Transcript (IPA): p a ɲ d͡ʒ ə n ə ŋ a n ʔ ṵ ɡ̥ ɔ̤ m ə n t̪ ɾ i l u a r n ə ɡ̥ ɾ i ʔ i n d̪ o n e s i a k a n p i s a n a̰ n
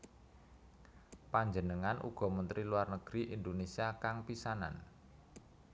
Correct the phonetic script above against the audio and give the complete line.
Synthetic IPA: p a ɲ d͡ʒ ə n ə ŋ a n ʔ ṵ ɡ̥ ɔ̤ m ə n t̪ ɾ i l u a r n ə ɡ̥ ɾ i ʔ i n d̪ o n e s i a k a ŋ p i s a n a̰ n